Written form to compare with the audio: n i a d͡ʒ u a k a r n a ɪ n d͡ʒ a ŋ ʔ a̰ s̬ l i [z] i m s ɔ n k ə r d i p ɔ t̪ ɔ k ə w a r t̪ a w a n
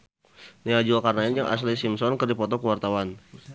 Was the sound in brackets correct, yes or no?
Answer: no